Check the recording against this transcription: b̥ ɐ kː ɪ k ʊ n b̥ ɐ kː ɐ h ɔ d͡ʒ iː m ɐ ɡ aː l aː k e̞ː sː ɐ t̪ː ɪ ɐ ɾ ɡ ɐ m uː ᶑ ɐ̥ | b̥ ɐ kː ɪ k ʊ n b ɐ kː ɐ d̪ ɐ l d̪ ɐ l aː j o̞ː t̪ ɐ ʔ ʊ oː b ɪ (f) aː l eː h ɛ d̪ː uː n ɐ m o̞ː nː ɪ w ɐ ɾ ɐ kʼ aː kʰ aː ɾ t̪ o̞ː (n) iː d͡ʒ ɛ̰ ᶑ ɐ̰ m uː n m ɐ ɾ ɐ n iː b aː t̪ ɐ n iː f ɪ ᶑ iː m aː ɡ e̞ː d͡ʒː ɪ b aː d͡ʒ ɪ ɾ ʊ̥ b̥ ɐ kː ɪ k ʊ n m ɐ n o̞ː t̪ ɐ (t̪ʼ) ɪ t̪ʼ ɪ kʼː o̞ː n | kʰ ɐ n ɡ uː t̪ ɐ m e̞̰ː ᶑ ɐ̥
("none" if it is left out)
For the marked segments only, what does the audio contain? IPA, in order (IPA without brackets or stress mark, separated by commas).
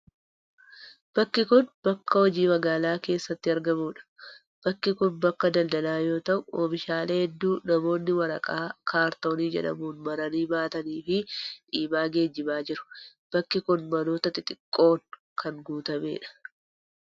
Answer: ʃ, n, t̪